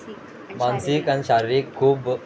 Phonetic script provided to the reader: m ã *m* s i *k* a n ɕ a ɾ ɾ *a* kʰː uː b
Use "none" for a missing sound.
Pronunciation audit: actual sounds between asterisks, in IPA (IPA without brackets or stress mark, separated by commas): n, k, i